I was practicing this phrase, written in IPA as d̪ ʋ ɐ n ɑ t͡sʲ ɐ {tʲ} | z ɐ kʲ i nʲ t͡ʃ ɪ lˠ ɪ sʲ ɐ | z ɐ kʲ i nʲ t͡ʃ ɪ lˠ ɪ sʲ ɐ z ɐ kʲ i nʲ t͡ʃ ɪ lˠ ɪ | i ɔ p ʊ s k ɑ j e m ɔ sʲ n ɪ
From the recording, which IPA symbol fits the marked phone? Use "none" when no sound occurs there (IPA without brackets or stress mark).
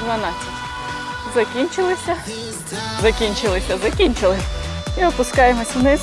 tʲ